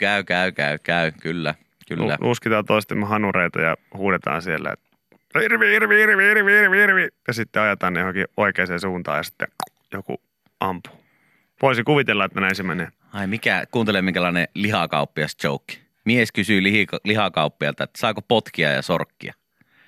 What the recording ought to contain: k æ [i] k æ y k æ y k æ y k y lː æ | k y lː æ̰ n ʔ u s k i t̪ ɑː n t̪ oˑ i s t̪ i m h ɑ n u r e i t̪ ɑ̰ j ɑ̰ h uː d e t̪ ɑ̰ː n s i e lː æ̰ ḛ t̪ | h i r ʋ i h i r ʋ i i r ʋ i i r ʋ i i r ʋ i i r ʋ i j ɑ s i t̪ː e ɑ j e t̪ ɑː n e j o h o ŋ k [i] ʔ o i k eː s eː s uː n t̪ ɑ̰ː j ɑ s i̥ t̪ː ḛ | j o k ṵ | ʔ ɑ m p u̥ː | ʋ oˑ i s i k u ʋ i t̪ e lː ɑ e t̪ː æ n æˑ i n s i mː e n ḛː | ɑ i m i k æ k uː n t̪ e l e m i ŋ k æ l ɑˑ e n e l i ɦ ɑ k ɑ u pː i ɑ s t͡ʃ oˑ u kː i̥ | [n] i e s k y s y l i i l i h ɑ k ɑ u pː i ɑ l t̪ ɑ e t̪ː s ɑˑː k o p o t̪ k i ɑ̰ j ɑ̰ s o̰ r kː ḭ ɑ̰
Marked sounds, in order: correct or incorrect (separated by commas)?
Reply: incorrect, correct, incorrect